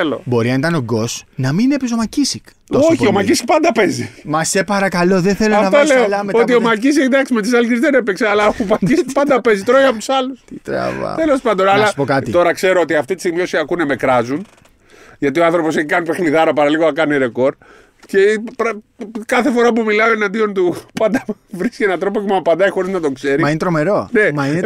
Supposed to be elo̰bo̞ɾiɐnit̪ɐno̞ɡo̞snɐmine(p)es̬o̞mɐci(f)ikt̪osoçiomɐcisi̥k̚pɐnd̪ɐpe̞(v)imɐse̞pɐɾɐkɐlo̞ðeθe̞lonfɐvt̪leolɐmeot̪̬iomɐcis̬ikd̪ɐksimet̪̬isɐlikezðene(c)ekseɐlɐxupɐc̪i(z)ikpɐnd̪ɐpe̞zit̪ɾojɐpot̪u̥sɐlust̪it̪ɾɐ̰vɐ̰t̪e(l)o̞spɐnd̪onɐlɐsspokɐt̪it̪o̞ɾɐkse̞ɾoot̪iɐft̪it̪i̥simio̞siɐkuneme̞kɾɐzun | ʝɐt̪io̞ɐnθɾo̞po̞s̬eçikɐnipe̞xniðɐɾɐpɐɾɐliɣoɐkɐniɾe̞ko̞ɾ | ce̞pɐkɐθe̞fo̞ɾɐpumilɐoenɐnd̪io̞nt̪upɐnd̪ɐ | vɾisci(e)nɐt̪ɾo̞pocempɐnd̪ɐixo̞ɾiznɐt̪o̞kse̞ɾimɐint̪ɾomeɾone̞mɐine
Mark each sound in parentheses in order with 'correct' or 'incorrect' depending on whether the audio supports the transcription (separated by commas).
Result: correct, incorrect, incorrect, incorrect, incorrect, correct, correct